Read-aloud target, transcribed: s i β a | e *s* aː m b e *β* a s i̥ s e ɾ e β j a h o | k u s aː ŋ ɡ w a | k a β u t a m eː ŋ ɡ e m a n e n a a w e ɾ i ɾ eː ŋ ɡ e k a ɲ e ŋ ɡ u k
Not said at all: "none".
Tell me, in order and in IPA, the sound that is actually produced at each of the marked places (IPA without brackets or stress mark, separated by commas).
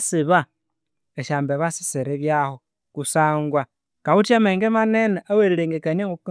ʃ, β